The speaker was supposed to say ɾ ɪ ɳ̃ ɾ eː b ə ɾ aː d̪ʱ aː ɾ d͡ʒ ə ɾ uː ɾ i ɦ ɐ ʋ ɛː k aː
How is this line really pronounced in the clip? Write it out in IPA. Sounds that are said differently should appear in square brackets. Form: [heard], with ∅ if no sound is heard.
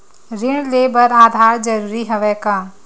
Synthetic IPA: ɾ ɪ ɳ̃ [l] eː b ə ɾ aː d̪ʱ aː ɾ d͡ʒ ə ɾ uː ɾ i ɦ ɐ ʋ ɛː k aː